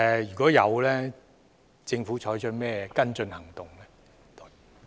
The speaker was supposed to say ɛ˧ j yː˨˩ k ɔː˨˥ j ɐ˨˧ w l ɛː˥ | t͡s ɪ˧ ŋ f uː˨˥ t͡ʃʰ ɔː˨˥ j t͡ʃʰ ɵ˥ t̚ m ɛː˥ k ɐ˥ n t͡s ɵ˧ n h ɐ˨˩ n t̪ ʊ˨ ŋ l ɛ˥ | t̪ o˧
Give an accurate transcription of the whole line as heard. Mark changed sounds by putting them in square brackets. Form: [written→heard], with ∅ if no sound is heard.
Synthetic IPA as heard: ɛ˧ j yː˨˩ k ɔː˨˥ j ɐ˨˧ w l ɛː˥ | t͡s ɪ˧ ŋ f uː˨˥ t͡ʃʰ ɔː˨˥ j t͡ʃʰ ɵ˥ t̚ m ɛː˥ k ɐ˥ n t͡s ɵ˧ n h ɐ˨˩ [n→ŋ] t̪ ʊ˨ ŋ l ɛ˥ | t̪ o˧

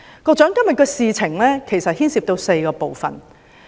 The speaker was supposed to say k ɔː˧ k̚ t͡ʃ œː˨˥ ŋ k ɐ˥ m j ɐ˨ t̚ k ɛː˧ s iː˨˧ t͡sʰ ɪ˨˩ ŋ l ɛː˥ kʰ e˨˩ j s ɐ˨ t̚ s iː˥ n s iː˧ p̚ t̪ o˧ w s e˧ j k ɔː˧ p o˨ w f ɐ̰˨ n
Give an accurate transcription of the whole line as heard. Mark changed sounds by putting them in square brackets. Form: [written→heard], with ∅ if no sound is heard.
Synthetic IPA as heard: k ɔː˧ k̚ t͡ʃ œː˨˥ ŋ k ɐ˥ m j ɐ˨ t̚ k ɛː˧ s iː˨˧ t͡sʰ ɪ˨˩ ŋ l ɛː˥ kʰ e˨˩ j s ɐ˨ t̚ [s→h] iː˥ n s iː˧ p̚ t̪ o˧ w s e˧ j k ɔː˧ p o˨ w f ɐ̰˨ n

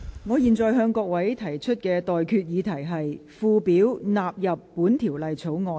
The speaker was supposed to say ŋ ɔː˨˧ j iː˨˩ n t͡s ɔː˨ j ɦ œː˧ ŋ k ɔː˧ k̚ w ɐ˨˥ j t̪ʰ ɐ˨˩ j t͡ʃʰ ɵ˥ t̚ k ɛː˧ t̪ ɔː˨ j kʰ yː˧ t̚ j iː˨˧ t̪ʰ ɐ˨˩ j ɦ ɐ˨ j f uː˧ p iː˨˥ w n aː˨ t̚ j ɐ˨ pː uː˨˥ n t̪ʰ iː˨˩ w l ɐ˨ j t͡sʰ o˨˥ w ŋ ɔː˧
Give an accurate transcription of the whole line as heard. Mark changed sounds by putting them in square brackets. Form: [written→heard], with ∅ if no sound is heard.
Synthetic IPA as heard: ŋ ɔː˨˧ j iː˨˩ n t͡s ɔː˨ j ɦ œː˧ ŋ k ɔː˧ k̚ w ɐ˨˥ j t̪ʰ ɐ˨˩ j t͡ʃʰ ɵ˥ t̚ k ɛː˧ t̪ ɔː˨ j kʰ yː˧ t̚ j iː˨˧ t̪ʰ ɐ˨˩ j ɦ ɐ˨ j f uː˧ p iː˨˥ w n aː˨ [t̚→p̚] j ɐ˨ pː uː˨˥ n t̪ʰ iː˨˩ w l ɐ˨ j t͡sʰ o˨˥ w ŋ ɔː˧

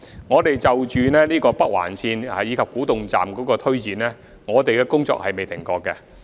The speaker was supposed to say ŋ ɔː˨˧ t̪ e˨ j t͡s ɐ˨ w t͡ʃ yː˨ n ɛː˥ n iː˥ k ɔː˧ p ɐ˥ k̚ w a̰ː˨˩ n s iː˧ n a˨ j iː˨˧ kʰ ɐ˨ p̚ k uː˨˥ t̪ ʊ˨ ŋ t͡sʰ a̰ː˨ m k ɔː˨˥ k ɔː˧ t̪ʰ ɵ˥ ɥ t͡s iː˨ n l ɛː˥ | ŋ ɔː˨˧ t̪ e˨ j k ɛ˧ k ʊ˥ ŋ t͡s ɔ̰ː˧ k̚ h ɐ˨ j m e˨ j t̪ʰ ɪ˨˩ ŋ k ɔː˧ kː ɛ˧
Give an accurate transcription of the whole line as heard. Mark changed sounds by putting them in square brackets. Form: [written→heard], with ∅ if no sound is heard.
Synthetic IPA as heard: ŋ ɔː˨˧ t̪ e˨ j t͡s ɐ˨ w t͡ʃ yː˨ n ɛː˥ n iː˥ k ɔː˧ p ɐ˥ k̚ w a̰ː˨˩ n s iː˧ n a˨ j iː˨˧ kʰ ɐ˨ p̚ k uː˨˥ t̪ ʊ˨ ŋ [t͡sʰ→t͡s] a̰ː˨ m k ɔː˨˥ k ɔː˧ t̪ʰ ɵ˥ ɥ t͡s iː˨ n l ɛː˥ | ŋ ɔː˨˧ t̪ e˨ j k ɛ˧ k ʊ˥ ŋ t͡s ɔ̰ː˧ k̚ h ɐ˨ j m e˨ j t̪ʰ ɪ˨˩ ŋ k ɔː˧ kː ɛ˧

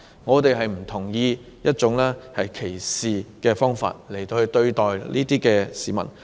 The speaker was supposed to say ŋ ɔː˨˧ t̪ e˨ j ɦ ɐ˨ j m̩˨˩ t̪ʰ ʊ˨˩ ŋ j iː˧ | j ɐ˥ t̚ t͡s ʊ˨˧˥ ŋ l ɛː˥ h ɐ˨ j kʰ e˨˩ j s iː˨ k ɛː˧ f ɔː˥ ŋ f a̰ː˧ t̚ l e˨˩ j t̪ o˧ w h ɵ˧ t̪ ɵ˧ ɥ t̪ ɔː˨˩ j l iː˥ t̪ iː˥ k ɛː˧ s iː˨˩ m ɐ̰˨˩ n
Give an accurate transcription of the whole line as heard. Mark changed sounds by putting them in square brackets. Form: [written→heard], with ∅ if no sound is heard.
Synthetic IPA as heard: ŋ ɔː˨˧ t̪ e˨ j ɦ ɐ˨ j m̩˨˩ t̪ʰ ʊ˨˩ ŋ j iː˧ | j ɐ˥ t̚ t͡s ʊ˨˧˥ ŋ l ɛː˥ h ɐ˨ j kʰ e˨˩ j s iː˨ k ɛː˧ f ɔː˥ ŋ f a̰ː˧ t̚ l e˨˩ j t̪ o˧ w h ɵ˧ t̪ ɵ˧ ɥ t̪ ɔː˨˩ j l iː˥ t̪ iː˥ k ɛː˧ s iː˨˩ m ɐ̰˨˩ n

